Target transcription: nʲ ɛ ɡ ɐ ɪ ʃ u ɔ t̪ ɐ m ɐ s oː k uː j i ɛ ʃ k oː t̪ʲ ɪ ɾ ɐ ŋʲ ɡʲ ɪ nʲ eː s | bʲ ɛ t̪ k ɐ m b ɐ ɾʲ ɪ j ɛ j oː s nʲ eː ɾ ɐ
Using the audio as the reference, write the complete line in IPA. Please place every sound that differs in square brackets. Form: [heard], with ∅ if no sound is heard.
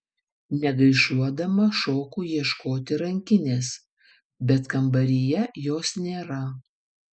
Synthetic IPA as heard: nʲ ɛ ɡ ɐ ɪ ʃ u ɔ [d̪] ɐ m ɐ [ʃ] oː k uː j i ɛ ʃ k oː t̪ʲ ɪ ɾ ɐ ŋʲ [kʲ] ɪ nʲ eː s | bʲ ɛ t̪ k ɐ m b ɐ ɾʲ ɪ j ɛ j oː s nʲ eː ɾ ɐ